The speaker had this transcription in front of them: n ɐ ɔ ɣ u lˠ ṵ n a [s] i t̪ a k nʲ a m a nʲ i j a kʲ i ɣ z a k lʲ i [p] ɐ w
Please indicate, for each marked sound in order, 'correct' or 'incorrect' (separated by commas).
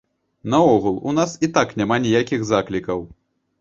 correct, incorrect